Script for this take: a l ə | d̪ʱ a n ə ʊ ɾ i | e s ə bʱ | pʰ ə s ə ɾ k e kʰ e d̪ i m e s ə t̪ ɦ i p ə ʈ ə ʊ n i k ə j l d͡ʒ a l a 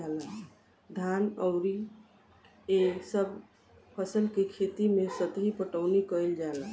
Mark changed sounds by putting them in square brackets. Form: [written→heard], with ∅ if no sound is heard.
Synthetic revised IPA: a l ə | d̪ʱ a n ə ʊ ɾ i | e s ə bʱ | pʰ ə s ə [ɾ→l] k e kʰ e [d̪→t̪] i m e s ə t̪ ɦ i p ə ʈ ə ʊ n i k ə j l d͡ʒ a l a